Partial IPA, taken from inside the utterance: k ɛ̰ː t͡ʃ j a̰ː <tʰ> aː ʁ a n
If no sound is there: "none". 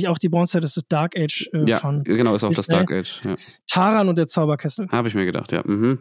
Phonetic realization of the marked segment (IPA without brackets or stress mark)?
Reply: tʰ